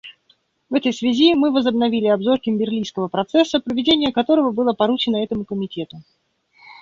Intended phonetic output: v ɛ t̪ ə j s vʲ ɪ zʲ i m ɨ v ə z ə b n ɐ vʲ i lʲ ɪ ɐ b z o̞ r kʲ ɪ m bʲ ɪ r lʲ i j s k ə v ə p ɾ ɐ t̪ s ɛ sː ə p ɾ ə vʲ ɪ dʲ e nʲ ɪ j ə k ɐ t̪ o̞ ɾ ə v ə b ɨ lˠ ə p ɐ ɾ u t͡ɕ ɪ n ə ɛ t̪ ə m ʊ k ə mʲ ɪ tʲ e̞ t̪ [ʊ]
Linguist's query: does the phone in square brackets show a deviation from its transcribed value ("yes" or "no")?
no